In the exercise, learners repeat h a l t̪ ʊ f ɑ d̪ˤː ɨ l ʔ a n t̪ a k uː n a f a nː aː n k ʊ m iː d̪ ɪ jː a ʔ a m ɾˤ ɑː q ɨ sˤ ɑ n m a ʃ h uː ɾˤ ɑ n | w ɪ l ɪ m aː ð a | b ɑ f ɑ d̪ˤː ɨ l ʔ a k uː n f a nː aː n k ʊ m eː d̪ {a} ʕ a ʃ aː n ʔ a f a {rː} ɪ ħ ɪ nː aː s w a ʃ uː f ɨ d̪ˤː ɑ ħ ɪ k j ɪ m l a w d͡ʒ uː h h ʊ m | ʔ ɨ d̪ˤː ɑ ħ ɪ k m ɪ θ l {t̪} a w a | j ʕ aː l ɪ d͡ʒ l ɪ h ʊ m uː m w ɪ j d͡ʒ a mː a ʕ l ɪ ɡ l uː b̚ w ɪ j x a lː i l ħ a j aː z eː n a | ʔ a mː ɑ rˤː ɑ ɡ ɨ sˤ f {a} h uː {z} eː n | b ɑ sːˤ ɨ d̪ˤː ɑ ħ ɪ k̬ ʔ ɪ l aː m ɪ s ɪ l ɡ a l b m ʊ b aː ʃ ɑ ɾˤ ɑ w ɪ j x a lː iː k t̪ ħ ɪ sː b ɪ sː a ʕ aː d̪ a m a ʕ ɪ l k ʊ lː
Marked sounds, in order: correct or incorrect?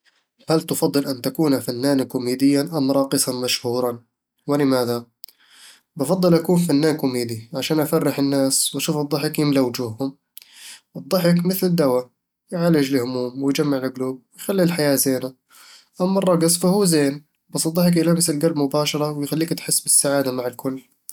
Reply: incorrect: i, correct, incorrect: d̪, correct, correct

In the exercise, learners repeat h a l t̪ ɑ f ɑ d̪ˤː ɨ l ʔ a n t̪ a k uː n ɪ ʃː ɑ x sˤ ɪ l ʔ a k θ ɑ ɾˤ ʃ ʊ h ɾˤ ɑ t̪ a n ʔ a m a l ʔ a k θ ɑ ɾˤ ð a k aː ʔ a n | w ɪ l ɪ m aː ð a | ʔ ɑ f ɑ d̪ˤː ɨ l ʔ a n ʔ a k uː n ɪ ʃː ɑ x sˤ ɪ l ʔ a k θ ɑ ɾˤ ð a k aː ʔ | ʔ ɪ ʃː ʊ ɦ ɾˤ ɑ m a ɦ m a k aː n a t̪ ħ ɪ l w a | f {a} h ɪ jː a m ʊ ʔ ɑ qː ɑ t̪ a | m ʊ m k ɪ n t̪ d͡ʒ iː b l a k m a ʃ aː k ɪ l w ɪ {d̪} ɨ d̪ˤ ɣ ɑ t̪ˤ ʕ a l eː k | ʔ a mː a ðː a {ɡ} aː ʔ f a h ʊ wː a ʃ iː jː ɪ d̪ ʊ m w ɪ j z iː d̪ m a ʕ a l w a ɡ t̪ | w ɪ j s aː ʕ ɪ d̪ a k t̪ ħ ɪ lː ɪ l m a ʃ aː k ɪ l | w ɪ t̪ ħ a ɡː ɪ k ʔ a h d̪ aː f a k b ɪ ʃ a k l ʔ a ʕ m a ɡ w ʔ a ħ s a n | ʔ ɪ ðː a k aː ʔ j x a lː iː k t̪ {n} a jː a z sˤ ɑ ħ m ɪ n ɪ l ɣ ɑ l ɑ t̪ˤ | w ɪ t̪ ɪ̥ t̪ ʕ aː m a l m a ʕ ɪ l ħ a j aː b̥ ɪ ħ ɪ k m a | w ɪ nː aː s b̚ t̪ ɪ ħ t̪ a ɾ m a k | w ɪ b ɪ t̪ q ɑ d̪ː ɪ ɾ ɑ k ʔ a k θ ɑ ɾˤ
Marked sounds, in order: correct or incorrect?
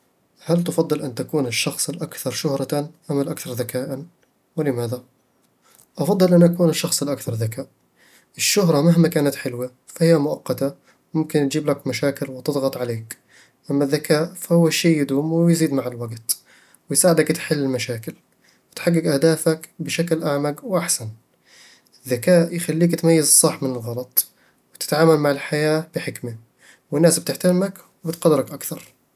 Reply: correct, incorrect: t̪, incorrect: k, incorrect: m

